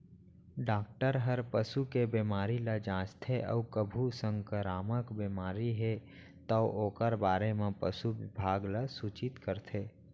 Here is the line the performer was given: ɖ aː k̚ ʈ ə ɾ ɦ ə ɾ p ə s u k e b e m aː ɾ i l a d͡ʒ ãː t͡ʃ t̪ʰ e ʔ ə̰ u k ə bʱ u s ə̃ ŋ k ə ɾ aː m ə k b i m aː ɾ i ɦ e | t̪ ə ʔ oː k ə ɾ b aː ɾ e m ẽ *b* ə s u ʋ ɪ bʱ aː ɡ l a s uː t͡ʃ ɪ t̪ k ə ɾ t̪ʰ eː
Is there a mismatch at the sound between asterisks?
yes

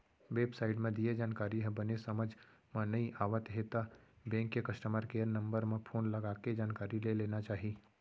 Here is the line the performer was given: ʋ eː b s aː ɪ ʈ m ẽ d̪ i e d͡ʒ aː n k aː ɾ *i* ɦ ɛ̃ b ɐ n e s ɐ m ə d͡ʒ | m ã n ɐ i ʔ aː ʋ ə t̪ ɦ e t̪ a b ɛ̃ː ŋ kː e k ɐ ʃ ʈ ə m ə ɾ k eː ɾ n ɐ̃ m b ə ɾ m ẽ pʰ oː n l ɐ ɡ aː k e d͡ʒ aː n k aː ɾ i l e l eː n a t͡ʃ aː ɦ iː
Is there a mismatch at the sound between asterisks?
no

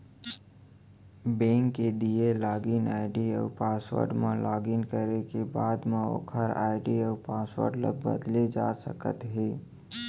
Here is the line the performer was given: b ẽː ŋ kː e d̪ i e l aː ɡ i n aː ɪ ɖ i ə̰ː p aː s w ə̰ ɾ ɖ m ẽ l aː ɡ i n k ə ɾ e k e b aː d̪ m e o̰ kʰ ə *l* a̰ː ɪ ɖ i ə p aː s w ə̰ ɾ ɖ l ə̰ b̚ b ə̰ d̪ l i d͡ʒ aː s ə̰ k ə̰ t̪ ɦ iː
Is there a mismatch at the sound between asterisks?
yes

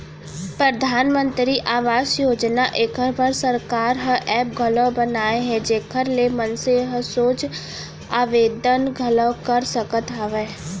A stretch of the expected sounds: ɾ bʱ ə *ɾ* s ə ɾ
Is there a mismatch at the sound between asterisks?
no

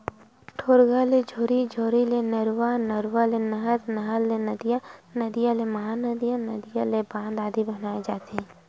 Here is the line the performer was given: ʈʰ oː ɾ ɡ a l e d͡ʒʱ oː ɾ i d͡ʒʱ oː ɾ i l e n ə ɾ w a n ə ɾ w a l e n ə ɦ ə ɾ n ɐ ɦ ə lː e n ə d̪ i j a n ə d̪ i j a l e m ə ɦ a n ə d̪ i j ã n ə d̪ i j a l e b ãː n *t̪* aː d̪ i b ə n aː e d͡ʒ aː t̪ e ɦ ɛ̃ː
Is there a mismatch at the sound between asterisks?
yes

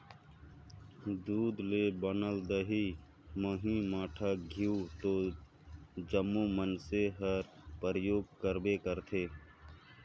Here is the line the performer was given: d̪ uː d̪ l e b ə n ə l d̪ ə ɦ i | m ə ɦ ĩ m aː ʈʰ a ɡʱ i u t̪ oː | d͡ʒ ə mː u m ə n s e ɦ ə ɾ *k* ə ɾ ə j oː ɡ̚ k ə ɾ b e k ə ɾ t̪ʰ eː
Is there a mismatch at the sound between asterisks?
yes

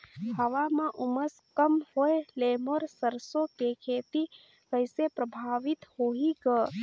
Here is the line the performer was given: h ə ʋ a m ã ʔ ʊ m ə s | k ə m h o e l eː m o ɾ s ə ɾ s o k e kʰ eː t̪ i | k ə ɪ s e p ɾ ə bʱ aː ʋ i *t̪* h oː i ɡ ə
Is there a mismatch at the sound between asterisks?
no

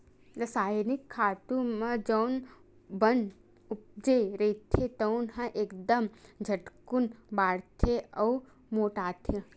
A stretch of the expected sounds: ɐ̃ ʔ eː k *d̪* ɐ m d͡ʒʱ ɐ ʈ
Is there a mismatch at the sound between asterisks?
no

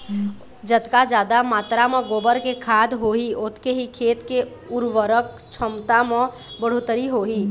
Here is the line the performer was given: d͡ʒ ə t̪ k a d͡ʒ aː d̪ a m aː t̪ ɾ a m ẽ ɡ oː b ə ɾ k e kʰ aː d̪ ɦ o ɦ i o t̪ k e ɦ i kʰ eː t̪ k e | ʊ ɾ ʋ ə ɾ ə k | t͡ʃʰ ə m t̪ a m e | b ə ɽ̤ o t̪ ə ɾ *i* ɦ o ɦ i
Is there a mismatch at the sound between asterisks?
no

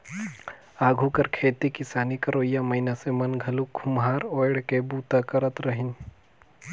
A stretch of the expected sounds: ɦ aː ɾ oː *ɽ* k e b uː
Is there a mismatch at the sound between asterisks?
no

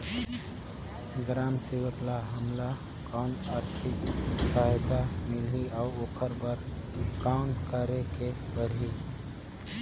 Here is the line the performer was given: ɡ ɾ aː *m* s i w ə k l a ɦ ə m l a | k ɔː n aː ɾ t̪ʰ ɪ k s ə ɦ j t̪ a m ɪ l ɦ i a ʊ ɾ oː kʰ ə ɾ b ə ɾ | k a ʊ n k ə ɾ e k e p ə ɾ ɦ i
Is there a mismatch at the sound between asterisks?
no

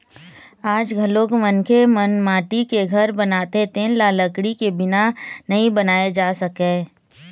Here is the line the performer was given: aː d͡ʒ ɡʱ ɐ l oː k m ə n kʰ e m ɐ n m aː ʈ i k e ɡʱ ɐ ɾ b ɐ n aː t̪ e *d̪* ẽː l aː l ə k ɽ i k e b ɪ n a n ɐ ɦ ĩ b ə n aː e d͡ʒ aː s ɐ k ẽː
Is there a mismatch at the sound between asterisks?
yes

